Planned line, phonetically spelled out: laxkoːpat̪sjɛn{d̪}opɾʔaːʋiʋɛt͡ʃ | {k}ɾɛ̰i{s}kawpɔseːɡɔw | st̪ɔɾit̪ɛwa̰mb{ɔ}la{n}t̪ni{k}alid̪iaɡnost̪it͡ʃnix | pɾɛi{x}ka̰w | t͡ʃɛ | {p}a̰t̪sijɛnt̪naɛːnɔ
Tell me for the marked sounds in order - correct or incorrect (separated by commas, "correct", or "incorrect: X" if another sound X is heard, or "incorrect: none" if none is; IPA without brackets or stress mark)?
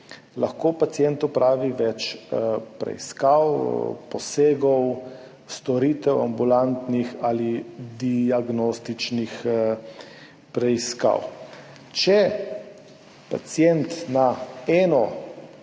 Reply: incorrect: t̪, incorrect: p, correct, incorrect: u, correct, incorrect: x, incorrect: s, correct